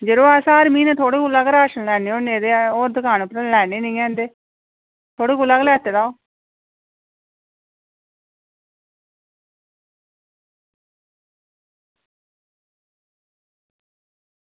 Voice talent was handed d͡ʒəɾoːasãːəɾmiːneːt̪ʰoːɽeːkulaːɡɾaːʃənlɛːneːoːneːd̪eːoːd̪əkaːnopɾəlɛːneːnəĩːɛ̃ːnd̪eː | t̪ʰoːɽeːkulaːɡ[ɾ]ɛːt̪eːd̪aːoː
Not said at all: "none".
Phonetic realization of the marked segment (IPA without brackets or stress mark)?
l